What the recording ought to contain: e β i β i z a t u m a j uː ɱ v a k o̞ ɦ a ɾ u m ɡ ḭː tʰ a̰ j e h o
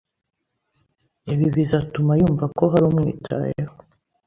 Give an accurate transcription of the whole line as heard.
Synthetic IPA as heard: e β i β i z a t u m a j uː ɱ v a k o̞ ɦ a ɾ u m ŋ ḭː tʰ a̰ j e h o